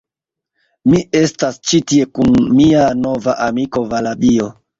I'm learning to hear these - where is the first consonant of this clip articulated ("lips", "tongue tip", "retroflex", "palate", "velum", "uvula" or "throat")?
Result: lips